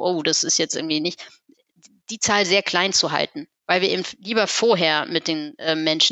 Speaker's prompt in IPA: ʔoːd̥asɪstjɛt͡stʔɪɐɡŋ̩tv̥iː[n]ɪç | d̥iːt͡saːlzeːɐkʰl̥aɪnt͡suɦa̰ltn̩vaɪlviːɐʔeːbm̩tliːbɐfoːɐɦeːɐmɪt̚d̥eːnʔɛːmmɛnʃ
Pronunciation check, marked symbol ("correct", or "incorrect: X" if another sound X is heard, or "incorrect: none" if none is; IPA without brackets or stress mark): correct